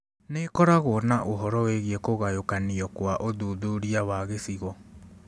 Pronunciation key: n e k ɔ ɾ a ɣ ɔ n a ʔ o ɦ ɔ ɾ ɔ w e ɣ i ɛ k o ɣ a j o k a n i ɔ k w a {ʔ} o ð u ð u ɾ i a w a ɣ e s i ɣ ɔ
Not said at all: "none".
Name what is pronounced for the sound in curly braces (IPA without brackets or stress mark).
ʔ